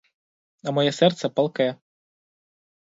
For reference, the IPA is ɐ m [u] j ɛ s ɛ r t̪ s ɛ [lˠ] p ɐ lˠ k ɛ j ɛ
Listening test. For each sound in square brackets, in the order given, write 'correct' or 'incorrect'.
incorrect, incorrect

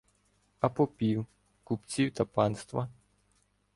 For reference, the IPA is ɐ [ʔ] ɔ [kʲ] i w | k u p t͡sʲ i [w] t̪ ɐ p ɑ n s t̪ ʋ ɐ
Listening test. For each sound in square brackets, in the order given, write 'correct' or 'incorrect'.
incorrect, incorrect, correct

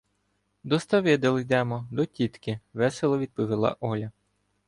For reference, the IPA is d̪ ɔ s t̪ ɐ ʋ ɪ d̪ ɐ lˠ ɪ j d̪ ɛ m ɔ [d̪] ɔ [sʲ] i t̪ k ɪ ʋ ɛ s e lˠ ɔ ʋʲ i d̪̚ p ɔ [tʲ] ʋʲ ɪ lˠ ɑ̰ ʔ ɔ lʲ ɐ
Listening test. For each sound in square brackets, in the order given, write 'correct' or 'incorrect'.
correct, incorrect, incorrect

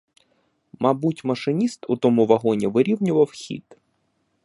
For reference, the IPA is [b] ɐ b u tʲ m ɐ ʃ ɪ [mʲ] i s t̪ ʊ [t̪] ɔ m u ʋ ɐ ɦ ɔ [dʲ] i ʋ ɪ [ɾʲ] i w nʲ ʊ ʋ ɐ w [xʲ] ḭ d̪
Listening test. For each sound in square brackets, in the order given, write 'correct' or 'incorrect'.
incorrect, incorrect, correct, incorrect, correct, correct

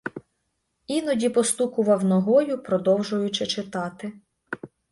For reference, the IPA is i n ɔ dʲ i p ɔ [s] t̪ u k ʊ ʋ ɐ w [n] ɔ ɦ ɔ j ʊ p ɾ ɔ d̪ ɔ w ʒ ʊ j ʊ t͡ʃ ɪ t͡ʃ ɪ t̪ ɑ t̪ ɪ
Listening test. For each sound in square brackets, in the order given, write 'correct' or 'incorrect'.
correct, correct

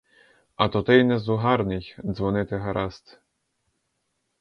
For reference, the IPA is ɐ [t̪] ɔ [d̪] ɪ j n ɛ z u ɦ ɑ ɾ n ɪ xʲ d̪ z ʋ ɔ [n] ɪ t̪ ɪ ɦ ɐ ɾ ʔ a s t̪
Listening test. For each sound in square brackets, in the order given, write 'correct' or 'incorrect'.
correct, incorrect, correct

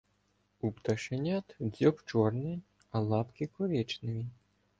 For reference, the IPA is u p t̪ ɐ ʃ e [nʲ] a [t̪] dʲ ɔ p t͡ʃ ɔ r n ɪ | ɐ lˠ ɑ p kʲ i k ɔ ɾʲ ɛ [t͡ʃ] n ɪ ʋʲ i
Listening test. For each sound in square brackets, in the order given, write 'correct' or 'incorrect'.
correct, correct, correct

